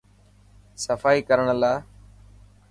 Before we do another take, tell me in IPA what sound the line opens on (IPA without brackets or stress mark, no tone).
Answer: s